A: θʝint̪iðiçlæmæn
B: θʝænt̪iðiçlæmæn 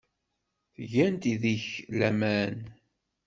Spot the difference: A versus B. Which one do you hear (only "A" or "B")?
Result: B